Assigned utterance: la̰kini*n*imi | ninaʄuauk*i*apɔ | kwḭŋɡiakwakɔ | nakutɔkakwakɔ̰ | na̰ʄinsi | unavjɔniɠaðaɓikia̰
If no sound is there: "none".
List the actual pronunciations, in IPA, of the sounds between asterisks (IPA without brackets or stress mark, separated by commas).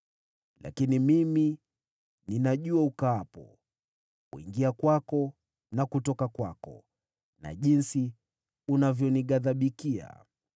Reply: m, a